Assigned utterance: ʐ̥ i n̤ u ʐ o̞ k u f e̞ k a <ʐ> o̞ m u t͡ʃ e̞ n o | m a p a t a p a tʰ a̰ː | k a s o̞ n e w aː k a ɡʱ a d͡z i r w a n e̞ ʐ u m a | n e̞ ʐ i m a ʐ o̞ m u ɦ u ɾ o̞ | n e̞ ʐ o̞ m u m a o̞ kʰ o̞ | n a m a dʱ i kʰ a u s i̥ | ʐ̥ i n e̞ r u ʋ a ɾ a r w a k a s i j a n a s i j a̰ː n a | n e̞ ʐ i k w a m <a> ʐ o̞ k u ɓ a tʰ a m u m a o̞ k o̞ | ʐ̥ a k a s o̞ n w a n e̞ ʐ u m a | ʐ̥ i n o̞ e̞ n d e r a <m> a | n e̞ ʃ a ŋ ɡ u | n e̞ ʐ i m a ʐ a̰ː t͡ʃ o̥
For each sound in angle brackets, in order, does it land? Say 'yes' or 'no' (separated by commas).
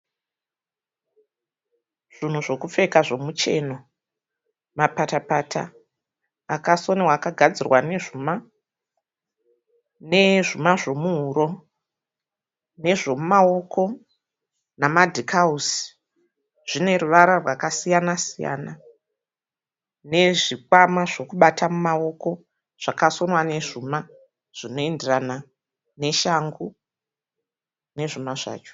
yes, yes, no